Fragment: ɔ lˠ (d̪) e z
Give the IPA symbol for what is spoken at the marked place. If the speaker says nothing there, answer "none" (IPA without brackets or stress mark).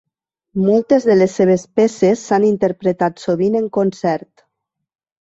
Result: t̪